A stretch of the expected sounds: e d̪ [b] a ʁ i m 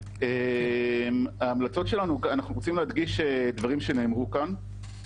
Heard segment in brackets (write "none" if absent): v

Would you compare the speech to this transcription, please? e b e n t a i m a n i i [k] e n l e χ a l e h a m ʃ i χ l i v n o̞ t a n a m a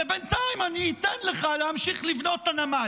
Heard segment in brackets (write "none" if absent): t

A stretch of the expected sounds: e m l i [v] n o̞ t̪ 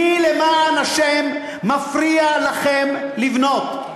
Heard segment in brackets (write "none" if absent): v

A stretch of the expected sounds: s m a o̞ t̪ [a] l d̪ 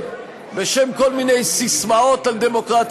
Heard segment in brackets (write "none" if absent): a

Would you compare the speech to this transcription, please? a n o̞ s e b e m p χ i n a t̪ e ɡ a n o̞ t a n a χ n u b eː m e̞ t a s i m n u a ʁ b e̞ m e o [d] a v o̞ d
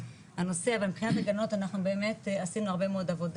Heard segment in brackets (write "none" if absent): d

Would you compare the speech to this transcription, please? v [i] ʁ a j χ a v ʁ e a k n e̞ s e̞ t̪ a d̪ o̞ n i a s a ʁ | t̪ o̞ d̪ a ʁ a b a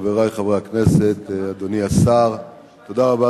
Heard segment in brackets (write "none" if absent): e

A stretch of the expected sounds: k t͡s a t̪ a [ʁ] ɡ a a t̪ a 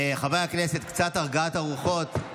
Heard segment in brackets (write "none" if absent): ʁ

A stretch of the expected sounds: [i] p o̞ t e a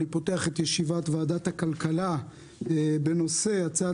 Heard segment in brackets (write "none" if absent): i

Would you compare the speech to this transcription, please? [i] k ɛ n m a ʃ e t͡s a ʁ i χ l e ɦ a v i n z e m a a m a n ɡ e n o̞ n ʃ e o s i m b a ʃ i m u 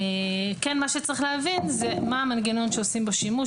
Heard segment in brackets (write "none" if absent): e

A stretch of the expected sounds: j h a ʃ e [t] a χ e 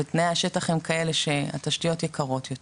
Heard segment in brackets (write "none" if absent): t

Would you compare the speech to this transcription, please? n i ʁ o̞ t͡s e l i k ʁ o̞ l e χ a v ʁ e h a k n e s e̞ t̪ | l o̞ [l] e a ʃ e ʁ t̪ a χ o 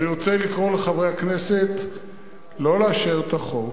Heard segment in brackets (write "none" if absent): l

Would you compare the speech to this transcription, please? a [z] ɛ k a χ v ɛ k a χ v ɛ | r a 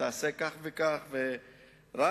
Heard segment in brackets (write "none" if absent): s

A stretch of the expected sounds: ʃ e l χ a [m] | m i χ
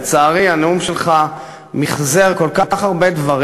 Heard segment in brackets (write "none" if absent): none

